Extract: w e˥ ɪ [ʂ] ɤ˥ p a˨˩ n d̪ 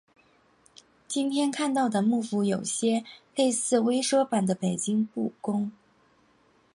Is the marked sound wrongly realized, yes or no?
no